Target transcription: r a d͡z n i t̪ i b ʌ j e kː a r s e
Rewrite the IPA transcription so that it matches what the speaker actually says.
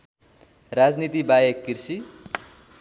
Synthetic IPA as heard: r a d͡z n i t̪ i b a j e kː i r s i